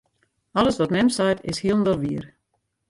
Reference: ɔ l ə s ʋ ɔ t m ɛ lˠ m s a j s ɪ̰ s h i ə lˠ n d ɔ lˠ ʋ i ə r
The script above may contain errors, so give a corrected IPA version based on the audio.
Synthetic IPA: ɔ l ə s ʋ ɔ t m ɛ m s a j t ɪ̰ s h i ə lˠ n d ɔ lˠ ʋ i ə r